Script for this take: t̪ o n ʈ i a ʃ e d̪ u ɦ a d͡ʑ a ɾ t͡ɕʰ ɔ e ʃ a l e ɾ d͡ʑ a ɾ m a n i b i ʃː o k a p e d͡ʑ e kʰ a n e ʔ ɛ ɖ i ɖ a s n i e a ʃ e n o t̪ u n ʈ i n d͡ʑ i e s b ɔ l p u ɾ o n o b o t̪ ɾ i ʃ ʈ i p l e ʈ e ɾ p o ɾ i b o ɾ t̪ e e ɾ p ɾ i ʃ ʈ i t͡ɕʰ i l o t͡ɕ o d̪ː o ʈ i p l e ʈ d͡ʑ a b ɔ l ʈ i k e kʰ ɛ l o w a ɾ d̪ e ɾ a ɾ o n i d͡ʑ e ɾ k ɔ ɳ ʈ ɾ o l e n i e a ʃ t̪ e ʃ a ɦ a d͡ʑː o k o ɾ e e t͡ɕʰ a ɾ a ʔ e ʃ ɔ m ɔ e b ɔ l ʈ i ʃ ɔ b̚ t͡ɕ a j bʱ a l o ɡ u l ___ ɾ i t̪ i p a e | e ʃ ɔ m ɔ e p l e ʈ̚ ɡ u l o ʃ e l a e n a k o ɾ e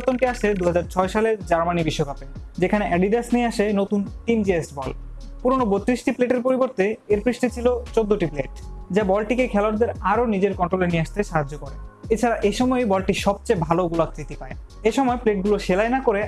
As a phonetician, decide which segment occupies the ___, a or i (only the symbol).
a